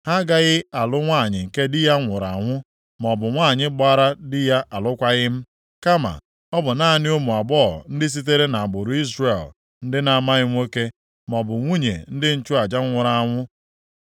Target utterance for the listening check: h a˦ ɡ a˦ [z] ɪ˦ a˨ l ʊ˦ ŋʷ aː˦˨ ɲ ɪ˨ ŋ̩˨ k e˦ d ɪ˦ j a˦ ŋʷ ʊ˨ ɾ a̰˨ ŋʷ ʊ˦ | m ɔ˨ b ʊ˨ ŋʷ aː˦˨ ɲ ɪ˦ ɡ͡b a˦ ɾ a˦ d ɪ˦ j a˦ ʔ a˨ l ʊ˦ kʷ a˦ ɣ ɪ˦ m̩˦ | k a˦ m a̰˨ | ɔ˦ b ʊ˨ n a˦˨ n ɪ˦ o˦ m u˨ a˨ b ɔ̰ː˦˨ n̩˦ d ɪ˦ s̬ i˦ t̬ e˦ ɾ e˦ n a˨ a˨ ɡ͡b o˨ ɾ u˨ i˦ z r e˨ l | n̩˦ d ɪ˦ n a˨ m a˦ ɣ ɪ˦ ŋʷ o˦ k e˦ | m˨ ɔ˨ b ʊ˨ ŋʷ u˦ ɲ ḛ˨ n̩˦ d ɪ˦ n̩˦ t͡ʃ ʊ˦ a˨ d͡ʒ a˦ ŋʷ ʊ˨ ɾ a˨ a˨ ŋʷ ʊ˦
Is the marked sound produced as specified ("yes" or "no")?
no